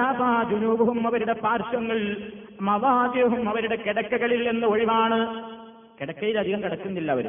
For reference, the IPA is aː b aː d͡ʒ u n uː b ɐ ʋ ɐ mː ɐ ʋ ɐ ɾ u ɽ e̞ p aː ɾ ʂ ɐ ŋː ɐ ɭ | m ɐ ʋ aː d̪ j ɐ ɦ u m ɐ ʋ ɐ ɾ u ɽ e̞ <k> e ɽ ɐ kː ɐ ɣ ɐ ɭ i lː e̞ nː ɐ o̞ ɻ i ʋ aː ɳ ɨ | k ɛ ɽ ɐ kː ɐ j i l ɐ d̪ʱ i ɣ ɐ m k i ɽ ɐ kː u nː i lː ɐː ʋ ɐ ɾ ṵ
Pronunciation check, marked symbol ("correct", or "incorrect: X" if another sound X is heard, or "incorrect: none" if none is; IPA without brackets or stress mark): correct